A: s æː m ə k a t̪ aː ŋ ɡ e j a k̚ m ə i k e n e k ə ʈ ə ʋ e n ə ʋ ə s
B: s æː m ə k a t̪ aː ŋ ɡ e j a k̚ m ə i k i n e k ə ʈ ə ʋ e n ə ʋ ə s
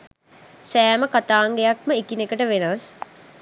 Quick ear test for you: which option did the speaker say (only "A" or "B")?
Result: B